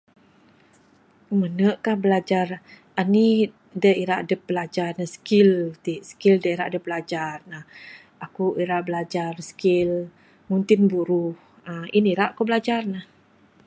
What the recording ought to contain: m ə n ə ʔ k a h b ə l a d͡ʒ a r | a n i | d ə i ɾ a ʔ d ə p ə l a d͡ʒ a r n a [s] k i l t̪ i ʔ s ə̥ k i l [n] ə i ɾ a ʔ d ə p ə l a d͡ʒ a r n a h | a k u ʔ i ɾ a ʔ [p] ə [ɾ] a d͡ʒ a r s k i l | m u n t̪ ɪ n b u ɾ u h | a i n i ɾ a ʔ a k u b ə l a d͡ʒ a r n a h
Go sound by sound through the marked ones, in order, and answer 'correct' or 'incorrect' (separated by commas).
correct, incorrect, incorrect, incorrect